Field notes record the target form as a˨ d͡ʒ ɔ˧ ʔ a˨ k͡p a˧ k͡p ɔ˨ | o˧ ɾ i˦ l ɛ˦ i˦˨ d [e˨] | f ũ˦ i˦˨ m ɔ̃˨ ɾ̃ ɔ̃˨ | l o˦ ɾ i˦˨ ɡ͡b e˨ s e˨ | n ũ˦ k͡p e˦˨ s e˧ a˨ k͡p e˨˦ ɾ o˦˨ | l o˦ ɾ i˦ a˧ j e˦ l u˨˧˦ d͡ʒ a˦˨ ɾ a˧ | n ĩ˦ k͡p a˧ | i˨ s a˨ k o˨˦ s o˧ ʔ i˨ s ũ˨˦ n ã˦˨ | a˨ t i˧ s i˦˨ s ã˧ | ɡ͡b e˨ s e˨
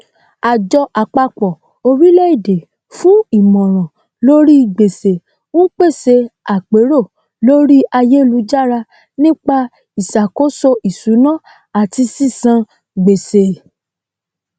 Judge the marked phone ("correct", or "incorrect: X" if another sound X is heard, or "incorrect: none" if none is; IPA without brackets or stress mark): correct